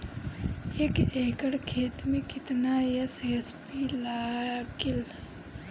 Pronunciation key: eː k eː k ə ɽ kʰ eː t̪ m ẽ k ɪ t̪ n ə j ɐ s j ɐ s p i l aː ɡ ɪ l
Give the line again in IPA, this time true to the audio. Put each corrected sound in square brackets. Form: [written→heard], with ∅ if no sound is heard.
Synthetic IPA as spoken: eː k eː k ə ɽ kʰ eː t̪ m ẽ k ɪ t̪ n [ə→a] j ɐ s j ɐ s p i l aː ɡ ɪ l